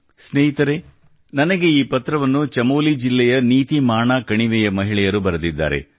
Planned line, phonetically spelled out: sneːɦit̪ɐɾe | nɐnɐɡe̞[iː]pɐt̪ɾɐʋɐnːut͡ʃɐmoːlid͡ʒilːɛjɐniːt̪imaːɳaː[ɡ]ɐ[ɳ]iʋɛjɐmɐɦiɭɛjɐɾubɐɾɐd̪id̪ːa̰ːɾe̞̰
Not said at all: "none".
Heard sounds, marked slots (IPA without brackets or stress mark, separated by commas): iː, k, ɳ